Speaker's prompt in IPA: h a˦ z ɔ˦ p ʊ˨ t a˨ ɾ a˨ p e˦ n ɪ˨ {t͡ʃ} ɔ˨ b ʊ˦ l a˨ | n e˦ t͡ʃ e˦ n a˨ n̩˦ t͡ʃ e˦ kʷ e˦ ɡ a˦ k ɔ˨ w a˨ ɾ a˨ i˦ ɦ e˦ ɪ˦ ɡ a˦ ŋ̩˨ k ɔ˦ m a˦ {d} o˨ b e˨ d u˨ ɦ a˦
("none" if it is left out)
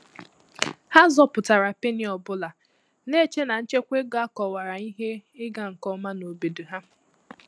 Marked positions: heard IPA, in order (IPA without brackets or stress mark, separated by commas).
none, n